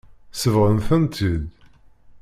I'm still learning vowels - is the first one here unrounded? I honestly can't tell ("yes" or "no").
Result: yes